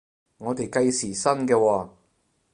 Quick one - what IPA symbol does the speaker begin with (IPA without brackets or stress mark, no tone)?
ŋ